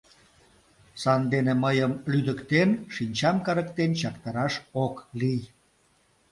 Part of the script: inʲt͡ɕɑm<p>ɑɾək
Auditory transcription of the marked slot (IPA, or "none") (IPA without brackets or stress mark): k